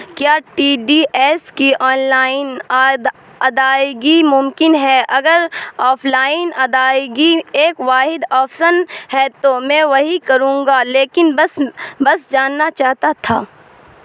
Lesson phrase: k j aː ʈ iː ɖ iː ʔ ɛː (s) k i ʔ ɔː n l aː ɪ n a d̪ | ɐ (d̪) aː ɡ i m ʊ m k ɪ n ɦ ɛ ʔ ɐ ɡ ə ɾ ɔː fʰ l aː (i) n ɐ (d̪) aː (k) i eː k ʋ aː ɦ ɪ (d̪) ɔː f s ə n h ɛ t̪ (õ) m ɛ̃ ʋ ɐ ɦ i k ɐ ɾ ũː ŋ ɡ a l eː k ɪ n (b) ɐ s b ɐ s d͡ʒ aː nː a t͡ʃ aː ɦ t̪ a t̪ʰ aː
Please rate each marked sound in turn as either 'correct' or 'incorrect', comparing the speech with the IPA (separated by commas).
correct, correct, incorrect, correct, incorrect, correct, incorrect, correct